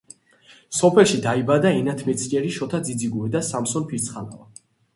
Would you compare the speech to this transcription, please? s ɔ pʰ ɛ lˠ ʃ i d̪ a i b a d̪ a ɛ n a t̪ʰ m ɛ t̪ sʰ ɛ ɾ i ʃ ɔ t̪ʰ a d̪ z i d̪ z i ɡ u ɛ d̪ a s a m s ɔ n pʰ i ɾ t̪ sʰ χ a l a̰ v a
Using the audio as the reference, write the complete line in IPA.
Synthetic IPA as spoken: s ɔ pʰ ɛ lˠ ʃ i d̪ a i b a d̪ a ɛ n a t̪ʰ m ɛ t̪ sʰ ɛ ɾ i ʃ ɔ t̪ʰ a d̪ z i d̪ z i ɡ u ɛ d̪ a s a m s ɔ n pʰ i ɾ t̪ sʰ χ a l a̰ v a